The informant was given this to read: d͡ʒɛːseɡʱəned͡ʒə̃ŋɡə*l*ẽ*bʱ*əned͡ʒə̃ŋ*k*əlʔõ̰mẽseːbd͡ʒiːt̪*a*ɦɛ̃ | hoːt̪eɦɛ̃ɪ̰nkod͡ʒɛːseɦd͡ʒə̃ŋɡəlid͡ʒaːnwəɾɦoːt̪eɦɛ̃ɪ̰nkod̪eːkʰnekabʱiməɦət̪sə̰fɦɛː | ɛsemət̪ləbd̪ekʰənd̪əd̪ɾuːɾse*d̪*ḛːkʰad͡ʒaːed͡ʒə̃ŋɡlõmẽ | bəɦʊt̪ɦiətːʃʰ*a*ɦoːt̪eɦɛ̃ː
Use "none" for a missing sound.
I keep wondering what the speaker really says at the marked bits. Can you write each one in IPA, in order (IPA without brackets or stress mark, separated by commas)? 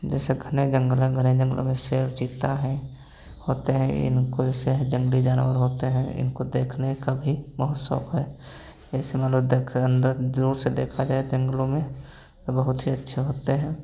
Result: l, ɡʱ, ɡ, a, d̪, e